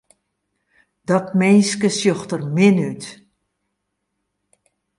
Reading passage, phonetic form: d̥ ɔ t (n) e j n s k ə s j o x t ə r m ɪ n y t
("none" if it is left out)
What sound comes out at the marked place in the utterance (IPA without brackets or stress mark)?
m